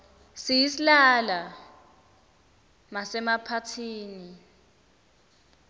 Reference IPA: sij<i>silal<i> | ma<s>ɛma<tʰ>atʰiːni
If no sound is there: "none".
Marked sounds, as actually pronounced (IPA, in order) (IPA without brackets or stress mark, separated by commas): i, a, s, pʰ